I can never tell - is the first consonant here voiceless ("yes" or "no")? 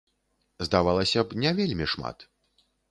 no